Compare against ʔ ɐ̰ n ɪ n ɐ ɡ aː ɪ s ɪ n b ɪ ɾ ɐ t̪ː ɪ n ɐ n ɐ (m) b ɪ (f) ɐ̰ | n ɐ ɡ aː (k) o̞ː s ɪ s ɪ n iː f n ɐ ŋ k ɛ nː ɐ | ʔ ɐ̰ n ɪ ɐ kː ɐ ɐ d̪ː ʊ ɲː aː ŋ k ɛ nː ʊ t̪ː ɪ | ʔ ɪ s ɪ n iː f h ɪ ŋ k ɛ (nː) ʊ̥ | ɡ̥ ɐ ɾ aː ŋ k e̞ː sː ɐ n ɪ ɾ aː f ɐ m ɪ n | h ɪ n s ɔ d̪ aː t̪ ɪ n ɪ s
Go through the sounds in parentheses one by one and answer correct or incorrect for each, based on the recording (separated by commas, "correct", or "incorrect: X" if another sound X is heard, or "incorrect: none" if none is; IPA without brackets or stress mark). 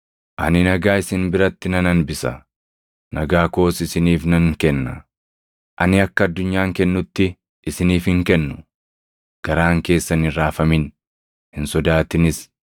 incorrect: n, incorrect: s, correct, correct